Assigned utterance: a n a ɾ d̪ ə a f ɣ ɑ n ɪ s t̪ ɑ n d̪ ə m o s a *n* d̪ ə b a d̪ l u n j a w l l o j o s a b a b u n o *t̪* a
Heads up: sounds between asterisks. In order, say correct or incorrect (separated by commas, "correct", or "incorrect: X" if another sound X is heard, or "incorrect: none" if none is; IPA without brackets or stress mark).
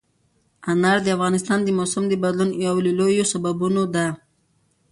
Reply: incorrect: m, incorrect: d̪